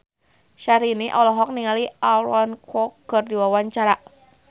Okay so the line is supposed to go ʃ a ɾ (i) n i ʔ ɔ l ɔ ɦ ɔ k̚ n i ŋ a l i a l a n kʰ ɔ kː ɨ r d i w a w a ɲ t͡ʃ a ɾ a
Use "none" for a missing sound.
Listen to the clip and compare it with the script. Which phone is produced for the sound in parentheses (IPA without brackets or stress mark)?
i